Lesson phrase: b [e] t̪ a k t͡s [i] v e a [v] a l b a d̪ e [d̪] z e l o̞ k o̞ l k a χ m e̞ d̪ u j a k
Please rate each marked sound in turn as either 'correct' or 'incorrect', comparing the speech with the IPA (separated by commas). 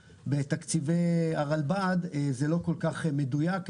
correct, correct, incorrect, incorrect